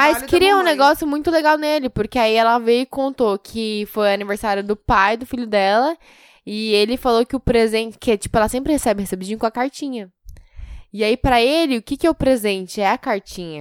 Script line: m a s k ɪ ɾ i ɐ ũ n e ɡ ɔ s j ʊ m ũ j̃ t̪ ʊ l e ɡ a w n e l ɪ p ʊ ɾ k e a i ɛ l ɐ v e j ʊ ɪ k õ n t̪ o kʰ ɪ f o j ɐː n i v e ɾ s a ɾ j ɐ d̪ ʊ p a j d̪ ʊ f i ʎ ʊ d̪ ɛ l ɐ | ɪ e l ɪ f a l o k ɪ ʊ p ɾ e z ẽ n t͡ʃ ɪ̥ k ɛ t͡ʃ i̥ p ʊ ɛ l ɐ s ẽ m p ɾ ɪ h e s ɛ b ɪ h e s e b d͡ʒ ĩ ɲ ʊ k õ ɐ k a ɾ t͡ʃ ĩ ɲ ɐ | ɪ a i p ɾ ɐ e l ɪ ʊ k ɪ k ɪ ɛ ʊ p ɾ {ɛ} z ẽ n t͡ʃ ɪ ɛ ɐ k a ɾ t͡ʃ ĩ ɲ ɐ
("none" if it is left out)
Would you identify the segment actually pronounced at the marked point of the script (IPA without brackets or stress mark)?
e